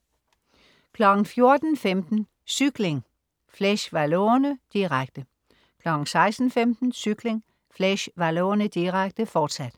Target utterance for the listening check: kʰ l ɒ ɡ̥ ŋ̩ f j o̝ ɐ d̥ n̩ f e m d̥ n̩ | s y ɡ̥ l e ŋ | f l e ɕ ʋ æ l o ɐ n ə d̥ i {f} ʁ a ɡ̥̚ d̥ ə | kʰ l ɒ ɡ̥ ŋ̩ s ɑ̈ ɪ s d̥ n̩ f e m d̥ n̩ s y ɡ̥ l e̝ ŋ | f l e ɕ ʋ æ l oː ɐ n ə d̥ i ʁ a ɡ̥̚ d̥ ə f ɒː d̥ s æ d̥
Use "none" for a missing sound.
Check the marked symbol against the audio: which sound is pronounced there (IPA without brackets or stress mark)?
none